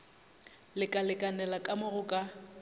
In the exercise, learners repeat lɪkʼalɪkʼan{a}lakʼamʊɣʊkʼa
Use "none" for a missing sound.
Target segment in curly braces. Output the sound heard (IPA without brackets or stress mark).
ɛ